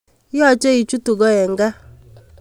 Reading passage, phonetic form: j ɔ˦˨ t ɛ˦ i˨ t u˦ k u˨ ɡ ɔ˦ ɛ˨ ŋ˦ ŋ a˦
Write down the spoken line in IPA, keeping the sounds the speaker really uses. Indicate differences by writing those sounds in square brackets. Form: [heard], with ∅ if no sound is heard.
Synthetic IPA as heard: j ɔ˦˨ [t͡ʃ] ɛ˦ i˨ [t͡ʃ] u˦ [t] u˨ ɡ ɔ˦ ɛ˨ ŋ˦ [ɡ] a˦